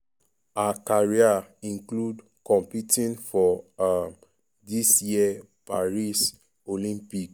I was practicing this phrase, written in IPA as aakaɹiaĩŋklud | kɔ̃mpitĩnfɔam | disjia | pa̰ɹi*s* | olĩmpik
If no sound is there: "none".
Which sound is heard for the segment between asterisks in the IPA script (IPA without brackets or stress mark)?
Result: s